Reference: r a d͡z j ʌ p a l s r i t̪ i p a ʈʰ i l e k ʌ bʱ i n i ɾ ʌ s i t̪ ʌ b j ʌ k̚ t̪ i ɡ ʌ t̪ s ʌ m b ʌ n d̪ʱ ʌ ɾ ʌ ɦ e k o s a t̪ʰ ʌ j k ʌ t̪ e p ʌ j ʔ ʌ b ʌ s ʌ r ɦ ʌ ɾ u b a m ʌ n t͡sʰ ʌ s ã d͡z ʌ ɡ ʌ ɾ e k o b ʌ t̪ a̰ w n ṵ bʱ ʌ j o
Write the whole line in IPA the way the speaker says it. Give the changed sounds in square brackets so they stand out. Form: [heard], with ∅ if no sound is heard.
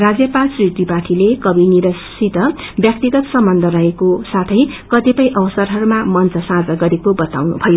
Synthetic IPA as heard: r a d͡z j ʌ p a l s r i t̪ i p a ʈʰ i l e k ʌ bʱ i n i ɾ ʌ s i t̪ ʌ b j ʌ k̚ t̪ i ɡ ʌ t̪ s ʌ m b ʌ n d̪ʱ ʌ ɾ ʌ ɦ e k o s a t̪ʰ ʌ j k ʌ t̪ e p ʌ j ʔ ʌ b ʌ s ʌ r ɦ ʌ ɾ u [m] a m ʌ n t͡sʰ ʌ s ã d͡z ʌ ɡ ʌ ɾ e k o b ʌ t̪ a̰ w n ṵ bʱ ʌ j o